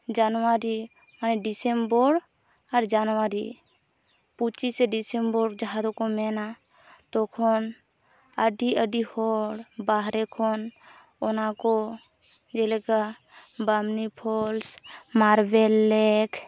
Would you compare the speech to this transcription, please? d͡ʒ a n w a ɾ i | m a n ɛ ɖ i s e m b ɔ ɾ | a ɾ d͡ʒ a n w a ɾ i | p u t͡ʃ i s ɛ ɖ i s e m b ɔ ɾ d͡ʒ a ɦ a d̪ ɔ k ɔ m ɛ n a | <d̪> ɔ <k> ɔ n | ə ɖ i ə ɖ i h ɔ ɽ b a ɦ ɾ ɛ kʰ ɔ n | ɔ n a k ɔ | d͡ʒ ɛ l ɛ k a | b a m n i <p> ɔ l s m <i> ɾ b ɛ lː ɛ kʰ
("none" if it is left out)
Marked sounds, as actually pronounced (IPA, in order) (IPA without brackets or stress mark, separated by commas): t̪, kʰ, pʰ, a